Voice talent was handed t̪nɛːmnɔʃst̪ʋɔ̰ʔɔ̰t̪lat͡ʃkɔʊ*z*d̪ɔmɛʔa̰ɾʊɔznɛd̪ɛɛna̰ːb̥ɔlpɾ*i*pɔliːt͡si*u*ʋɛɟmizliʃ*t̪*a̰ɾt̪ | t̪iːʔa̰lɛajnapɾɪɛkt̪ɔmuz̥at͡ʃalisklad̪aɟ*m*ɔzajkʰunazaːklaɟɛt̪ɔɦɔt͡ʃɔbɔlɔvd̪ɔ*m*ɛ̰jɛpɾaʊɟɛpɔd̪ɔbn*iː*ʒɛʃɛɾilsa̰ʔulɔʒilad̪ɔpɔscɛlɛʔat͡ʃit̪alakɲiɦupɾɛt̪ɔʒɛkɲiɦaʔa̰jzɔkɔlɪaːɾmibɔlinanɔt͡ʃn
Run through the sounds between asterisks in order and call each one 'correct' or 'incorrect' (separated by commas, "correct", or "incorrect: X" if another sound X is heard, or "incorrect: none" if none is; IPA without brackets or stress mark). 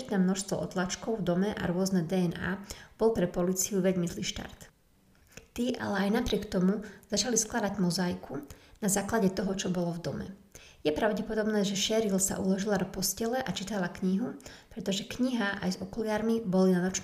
incorrect: v, incorrect: ɛ, correct, correct, correct, correct, incorrect: ɛː